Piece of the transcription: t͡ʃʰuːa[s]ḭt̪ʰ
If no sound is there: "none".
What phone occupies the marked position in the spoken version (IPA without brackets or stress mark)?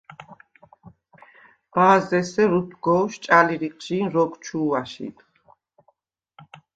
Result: ʃ